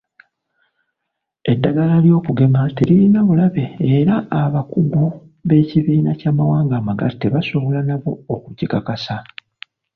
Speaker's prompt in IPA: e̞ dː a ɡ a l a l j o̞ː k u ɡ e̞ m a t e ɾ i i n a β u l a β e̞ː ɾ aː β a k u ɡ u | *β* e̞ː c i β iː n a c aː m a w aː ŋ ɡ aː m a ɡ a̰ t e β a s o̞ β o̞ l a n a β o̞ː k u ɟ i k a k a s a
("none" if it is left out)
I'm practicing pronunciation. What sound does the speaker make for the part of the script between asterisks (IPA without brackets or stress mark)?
β